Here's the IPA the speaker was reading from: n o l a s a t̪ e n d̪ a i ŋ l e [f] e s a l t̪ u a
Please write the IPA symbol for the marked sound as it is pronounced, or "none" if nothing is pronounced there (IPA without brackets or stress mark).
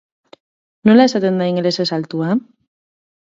s